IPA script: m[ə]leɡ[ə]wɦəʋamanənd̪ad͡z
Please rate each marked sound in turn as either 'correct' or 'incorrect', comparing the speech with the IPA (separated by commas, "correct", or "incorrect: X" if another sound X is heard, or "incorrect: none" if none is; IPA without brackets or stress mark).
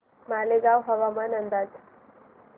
incorrect: a, incorrect: a